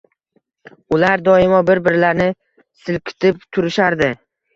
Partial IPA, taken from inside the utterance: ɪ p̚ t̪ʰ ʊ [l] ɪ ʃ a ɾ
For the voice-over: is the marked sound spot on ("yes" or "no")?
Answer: no